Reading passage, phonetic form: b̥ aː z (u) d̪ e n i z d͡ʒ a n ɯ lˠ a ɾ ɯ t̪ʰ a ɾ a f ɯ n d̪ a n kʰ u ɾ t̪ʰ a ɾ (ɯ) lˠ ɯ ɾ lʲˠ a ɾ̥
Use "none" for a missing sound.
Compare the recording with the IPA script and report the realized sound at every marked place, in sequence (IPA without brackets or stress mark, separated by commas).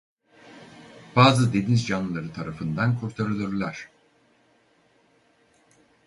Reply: ɯ, ɯ